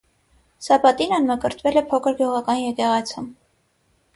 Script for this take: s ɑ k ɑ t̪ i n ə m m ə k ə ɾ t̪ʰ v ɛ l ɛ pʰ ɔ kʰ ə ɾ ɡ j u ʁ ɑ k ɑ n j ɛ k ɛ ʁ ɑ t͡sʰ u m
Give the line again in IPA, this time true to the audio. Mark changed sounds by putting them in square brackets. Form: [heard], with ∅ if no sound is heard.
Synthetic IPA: s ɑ [p] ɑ t̪ i n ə [n] m ə k ə ɾ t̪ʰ v ɛ l ɛ pʰ ɔ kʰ ə ɾ ɡ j u ʁ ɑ k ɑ n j ɛ k ɛ ʁ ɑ t͡sʰ u m